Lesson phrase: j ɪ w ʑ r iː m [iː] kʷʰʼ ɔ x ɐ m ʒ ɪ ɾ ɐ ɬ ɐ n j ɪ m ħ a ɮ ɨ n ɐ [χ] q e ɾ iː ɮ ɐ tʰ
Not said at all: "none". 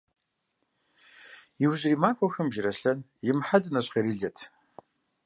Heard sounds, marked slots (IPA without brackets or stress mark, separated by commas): aː, ɕ